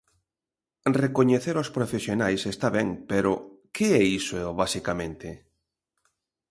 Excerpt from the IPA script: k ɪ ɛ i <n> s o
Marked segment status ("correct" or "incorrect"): incorrect